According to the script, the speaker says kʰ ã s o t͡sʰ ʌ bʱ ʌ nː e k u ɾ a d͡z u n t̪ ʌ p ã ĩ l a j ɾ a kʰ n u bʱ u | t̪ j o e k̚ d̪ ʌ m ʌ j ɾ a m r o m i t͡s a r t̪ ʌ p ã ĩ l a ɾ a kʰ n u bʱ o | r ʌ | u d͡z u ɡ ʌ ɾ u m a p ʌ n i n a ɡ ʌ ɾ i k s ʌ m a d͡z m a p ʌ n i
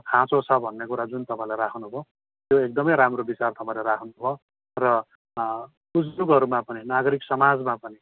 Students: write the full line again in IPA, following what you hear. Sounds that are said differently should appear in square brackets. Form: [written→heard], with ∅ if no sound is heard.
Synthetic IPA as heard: kʰ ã [s→t͡s] o t͡sʰ ʌ bʱ ʌ nː e k u ɾ a d͡z u n t̪ ʌ p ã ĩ l a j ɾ a kʰ n u bʱ [u→o] | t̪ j o e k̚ d̪ ʌ m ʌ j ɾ a m r o [m→b] i t͡s a r t̪ ʌ p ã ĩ l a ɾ a kʰ n u bʱ o | r ʌ | u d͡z u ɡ ʌ ɾ u m a p ʌ n i n a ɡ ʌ ɾ i k s ʌ m a d͡z m a p ʌ n i

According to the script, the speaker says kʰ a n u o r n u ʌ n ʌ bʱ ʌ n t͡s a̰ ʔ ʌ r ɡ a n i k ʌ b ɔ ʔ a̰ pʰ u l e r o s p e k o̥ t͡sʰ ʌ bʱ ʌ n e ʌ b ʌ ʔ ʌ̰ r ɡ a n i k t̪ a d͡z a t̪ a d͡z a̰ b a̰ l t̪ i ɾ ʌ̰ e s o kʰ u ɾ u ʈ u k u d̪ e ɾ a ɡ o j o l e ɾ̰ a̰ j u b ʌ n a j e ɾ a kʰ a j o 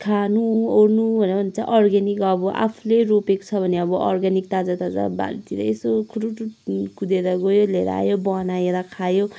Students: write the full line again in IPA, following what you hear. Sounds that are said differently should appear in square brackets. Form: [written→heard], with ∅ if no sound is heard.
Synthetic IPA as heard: kʰ a n u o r n u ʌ n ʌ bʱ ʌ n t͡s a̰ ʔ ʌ r ɡ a n i k ʌ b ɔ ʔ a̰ pʰ u l e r o [s→∅] p e k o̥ t͡sʰ ʌ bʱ ʌ n e ʌ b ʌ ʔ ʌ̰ r ɡ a n i k t̪ a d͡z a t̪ a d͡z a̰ b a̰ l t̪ i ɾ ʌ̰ e s o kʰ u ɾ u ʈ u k u d̪ e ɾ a ɡ o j o l e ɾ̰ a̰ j [u→o] b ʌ n a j e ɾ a kʰ a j o

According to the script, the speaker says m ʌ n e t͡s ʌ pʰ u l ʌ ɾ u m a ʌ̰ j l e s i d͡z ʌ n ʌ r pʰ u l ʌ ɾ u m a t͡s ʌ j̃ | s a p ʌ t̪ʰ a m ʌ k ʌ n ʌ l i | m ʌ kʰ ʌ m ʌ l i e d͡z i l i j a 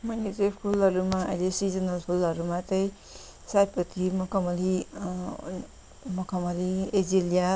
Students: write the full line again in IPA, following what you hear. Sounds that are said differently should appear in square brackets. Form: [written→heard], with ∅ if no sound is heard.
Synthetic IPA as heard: m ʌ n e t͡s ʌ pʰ u l ʌ ɾ u m a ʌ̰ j l e s i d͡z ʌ n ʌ [r→l] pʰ u l ʌ ɾ u m a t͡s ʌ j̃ | s a p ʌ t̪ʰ [a→i] m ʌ k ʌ [n→m] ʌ l i | m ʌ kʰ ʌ m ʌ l i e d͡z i l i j a

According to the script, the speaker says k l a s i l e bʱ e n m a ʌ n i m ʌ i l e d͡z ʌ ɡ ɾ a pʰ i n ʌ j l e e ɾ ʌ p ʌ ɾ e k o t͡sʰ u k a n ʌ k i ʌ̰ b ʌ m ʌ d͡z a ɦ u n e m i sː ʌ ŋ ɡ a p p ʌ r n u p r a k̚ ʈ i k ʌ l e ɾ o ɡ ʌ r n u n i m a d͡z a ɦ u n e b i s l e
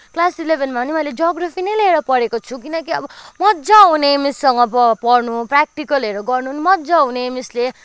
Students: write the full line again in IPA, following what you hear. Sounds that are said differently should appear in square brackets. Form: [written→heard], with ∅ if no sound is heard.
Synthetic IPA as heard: k l a s i l e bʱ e n m a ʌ n i m ʌ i l e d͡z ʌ ɡ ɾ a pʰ i n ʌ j l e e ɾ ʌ p ʌ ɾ e k o t͡sʰ u k [a→i] n ʌ k i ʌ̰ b ʌ m ʌ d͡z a ɦ u n e m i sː ʌ ŋ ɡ [a→ʌ] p p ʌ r n u p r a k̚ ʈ i k ʌ l e ɾ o ɡ ʌ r n u n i m [a→ʌ] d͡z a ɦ u n e [b→m] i s l e

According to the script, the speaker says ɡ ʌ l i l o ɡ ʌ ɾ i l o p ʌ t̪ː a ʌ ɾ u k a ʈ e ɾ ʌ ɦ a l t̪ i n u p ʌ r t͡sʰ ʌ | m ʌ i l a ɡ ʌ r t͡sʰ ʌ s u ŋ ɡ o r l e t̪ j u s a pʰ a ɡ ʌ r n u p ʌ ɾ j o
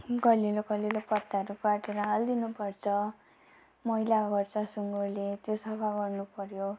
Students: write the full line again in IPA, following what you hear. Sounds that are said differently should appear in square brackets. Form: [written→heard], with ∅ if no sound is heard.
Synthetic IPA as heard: ɡ ʌ l i l o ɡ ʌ [ɾ→l] i l o p ʌ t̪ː a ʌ ɾ u k a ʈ e ɾ ʌ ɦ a l [t̪→d̪] i n u p ʌ r t͡sʰ ʌ | m ʌ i l a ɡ ʌ r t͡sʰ ʌ s u ŋ ɡ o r l e t̪ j [u→o] s [a→ʌ] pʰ a ɡ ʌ r n u p ʌ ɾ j o

